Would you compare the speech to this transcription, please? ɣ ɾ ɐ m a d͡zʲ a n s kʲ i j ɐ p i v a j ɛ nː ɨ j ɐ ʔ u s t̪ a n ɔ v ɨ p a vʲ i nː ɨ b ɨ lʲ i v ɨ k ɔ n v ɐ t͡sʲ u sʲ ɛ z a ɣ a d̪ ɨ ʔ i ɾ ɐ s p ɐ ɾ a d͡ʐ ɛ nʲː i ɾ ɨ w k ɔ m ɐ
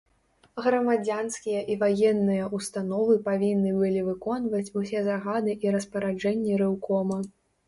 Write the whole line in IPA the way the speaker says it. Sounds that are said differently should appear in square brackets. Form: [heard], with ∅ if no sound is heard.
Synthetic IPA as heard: ɣ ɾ ɐ m a d͡zʲ a n s kʲ i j ɐ [ʔ] i v a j ɛ nː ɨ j ɐ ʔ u s t̪ a n ɔ v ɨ p a vʲ i nː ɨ b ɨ lʲ i v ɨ k ɔ n v ɐ t͡sʲ u sʲ ɛ z a ɣ a d̪ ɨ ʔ i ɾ ɐ s p ɐ ɾ a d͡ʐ ɛ nʲː i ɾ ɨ w k ɔ m ɐ